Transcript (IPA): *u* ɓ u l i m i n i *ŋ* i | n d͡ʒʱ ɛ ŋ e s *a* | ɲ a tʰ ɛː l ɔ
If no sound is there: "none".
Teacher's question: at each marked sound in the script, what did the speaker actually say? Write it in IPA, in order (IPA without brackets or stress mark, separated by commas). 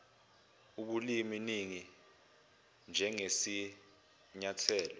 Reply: u, ŋ, i